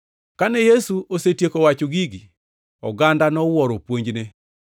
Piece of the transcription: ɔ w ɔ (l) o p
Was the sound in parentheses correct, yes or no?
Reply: no